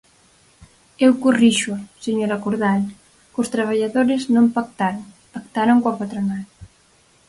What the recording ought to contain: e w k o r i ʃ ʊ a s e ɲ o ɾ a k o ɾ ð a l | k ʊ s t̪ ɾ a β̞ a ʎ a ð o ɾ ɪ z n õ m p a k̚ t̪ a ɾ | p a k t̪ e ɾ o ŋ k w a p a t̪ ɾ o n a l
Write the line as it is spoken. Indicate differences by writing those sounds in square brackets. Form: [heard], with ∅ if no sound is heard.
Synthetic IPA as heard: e w k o r i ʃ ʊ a s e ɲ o ɾ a k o ɾ ð a l | k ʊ s t̪ ɾ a β̞ a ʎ a ð o ɾ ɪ z n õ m p a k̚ t̪ a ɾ | p a k t̪ [a] ɾ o ŋ k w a p a t̪ ɾ o n a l